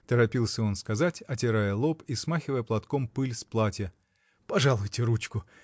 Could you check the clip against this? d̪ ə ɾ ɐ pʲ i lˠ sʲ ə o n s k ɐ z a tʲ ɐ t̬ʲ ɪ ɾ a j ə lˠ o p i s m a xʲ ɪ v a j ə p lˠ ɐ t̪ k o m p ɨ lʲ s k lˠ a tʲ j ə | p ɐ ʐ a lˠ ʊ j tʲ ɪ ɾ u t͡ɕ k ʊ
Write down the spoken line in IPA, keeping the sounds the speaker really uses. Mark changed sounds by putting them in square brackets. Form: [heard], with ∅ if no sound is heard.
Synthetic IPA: [t̪] ə ɾ ɐ pʲ i lˠ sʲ ə o n s k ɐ z a tʲ ɐ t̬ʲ ɪ ɾ a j ə lˠ o p i s m a xʲ ɪ v [ə] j ə p lˠ ɐ t̪ k o m p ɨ lʲ s [p] lˠ a tʲ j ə | p ɐ ʐ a lˠ ʊ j tʲ ɪ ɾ u t͡ɕ k ʊ